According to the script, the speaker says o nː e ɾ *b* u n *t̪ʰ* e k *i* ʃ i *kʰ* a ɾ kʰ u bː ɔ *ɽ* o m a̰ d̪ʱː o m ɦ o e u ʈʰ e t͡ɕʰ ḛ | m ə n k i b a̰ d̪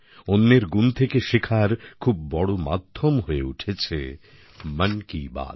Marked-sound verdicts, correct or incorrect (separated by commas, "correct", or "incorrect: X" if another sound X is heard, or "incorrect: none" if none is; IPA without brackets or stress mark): incorrect: ɡ, correct, incorrect: e, correct, correct